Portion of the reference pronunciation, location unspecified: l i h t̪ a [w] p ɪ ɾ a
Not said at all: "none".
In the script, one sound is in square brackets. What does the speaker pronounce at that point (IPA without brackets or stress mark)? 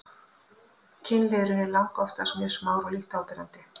w